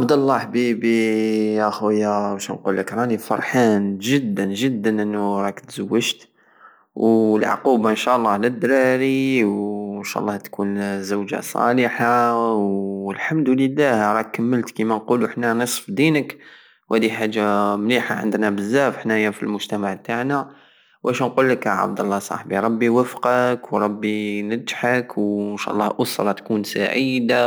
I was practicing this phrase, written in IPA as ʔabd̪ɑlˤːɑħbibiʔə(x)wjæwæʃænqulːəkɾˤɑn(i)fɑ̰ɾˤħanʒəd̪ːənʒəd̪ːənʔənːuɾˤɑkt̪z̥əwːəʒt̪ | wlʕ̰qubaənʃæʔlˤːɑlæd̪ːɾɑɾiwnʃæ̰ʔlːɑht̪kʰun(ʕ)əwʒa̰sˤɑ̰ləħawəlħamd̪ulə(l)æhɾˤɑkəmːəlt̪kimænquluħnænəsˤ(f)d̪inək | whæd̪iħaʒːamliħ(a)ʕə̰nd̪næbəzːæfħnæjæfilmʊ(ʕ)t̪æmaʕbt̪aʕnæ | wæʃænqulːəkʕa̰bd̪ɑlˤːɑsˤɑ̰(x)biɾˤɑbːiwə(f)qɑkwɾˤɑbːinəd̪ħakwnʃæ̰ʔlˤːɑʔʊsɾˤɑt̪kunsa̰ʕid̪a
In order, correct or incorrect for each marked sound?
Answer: correct, correct, incorrect, incorrect, correct, correct, incorrect, incorrect, correct

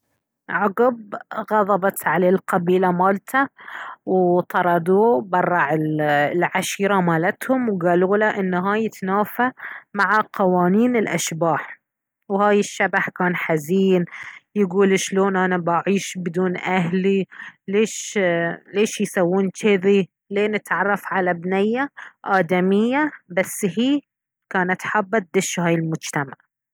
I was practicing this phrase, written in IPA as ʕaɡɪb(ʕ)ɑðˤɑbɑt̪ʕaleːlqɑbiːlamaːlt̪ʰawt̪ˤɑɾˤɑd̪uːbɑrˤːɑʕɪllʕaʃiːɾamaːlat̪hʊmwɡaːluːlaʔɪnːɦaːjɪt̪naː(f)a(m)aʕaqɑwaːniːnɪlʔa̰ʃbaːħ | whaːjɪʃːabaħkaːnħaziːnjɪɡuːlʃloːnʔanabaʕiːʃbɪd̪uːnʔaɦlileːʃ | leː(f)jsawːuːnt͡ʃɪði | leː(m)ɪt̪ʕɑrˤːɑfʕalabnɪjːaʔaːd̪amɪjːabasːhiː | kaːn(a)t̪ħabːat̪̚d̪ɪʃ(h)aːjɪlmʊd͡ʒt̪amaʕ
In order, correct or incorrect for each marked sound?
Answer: incorrect, correct, correct, incorrect, incorrect, correct, correct

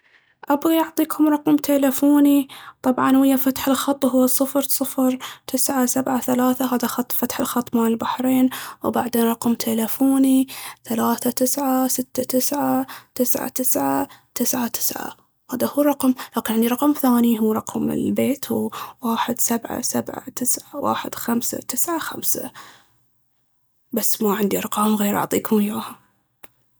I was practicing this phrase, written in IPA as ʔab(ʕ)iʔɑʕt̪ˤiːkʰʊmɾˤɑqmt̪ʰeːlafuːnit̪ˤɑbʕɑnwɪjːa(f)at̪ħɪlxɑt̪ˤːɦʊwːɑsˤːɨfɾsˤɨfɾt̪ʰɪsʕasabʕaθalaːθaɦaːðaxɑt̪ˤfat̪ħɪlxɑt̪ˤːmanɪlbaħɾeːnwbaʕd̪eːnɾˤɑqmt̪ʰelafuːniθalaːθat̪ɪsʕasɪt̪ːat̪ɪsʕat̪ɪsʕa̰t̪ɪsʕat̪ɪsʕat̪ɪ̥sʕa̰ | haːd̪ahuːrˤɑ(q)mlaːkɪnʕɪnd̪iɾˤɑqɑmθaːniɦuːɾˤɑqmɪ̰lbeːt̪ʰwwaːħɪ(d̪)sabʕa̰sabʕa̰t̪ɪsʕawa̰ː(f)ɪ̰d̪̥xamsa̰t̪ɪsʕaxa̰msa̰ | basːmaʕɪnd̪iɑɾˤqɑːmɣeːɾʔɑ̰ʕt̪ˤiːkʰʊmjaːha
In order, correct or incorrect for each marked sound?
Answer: incorrect, correct, correct, correct, incorrect

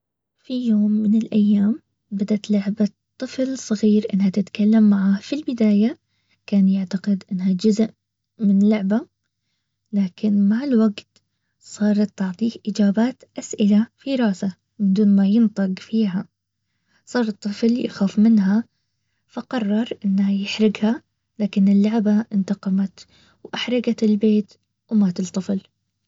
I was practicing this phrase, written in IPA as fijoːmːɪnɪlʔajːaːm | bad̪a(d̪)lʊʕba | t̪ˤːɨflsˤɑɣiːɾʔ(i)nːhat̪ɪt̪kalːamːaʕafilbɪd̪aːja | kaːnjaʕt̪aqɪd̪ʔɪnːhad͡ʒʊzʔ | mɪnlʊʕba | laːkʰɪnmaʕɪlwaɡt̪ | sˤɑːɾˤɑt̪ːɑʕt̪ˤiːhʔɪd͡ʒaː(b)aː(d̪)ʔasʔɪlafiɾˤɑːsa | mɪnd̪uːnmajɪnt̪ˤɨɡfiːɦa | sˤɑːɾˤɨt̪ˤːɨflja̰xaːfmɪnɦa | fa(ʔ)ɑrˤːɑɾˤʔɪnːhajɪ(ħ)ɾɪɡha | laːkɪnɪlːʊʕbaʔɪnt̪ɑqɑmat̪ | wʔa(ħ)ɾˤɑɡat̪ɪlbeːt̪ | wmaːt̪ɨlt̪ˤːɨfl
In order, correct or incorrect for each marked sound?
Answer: incorrect, incorrect, correct, incorrect, incorrect, correct, correct

